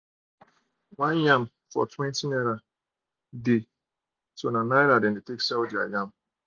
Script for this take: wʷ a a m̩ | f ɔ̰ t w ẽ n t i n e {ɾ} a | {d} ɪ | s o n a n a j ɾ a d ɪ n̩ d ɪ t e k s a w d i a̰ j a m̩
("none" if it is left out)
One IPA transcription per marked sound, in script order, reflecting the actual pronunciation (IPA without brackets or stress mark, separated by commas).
ɾ, d